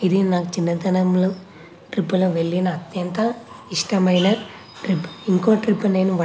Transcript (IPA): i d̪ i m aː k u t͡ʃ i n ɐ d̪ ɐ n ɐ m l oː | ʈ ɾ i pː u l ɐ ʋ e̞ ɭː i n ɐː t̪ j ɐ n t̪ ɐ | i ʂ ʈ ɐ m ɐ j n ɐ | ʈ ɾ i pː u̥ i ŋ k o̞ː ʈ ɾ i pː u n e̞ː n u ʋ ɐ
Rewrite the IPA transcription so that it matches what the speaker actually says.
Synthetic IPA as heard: i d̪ i n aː k u t͡ʃ i nː ɐ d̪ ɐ n ɐ m l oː | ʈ ɾ i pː u l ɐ ʋ e̞ ɭː i n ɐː t̪ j ɐ n t̪ ɐ | i ʂ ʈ ɐ m ɐ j n ɐ | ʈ ɾ i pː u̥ i ŋ k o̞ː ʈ ɾ i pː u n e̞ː n u ʋ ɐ